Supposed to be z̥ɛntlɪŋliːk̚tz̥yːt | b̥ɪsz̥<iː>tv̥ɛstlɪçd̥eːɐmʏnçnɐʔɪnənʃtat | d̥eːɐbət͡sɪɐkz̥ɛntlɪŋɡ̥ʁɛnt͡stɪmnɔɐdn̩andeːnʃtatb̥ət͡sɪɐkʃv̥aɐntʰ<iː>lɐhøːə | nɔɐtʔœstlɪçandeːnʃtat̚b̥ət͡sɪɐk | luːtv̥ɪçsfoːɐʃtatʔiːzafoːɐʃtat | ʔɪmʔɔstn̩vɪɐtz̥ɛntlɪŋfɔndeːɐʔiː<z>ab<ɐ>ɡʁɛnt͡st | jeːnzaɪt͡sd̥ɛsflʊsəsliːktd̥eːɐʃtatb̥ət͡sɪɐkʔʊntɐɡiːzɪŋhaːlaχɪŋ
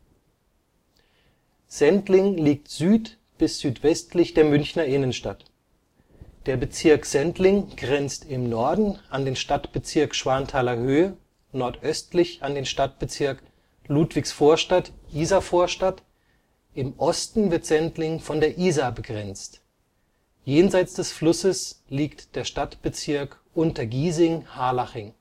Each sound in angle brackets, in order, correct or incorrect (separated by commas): incorrect, incorrect, correct, incorrect